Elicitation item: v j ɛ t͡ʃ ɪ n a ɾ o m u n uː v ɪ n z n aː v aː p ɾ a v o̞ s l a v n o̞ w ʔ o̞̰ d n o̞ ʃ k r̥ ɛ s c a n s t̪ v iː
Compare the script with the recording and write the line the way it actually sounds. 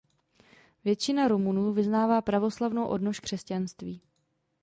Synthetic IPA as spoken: v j ɛ t͡ʃ ɪ n a ɾ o m u n uː v ɪ z n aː v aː p ɾ a v o̞ s l a v n o̞ w ʔ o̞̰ d n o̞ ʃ k r̥ ɛ s c a n s t̪ v iː